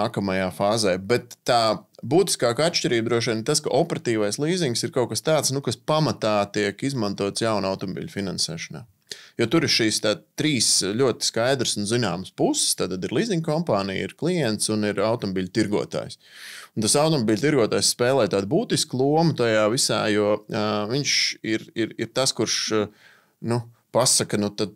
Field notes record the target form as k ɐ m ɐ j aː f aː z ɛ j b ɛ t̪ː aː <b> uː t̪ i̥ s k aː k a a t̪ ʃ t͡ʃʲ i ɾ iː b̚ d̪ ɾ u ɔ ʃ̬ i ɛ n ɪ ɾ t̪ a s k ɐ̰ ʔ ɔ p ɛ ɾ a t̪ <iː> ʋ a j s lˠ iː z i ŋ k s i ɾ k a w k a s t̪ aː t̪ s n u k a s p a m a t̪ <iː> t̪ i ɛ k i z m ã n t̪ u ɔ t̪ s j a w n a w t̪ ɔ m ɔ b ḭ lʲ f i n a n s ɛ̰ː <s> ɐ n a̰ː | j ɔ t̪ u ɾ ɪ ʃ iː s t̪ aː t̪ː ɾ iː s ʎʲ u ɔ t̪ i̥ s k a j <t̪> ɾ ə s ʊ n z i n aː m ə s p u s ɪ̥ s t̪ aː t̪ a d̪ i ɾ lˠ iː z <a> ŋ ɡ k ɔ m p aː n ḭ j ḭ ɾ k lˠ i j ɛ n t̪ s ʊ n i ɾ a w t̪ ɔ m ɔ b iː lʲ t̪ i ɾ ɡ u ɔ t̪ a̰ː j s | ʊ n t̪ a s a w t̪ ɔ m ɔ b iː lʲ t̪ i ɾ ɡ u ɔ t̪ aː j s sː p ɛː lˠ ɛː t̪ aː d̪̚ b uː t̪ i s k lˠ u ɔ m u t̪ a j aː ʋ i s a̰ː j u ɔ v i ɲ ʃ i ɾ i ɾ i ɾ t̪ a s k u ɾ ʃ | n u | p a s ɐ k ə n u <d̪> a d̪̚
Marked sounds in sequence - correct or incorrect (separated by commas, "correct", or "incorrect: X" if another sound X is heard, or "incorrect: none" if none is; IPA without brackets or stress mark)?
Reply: correct, correct, incorrect: aː, incorrect: ʃ, incorrect: d̪, incorrect: i, incorrect: t̪